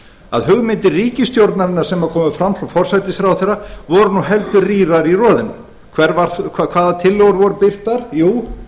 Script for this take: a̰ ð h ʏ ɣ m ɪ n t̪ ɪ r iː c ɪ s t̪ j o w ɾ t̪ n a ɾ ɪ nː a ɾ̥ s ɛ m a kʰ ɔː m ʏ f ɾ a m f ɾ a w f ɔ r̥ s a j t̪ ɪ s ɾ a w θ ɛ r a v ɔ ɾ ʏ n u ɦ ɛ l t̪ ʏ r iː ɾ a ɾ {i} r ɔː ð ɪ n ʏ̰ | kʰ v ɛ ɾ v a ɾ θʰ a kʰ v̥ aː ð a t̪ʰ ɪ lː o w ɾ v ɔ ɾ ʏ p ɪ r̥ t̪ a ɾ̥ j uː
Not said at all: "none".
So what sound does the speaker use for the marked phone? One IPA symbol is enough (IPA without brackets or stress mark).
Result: i